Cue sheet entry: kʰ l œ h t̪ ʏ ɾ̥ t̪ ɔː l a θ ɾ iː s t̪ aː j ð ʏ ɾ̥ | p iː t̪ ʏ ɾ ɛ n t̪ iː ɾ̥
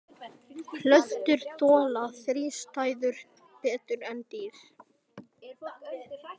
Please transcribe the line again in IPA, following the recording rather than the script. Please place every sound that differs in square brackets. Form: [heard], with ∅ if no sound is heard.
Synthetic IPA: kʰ l œ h t̪ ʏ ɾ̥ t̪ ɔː l a θ ɾ iː s t̪ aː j ð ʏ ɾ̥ | p [ɛː] t̪ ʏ ɾ ɛ n t̪ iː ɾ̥